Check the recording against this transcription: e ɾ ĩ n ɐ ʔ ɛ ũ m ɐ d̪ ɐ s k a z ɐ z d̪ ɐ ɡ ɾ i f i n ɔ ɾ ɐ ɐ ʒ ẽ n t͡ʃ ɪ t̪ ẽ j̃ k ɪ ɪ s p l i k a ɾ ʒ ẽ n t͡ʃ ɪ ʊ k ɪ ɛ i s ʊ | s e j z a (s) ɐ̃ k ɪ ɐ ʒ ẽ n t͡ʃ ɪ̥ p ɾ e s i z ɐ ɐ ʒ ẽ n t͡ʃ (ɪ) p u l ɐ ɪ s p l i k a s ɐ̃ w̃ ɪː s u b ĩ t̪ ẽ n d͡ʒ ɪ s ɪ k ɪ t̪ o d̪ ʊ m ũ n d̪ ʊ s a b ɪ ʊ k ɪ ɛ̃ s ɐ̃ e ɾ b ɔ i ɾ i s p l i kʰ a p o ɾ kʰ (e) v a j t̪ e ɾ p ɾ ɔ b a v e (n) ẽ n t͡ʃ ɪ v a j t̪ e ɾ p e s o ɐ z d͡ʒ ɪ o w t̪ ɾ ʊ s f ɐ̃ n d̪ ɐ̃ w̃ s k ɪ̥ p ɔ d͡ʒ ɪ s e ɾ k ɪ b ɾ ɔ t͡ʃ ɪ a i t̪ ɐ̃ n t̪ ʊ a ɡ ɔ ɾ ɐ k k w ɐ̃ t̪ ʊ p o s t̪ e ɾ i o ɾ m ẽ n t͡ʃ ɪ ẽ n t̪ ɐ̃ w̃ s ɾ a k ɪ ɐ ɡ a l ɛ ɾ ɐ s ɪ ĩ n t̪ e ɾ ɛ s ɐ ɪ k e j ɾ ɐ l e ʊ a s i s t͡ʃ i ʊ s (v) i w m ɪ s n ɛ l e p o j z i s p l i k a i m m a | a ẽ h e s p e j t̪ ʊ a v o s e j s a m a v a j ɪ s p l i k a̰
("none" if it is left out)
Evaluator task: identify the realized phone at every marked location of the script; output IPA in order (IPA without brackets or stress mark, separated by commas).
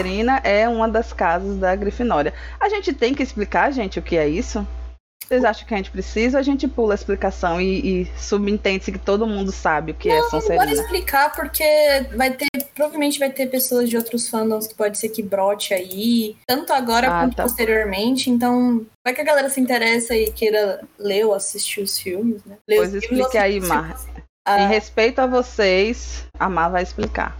ʃ, ɪ, e, m, f